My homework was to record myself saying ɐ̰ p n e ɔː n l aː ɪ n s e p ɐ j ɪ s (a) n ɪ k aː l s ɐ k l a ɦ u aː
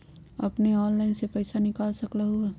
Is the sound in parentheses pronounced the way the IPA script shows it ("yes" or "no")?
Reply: yes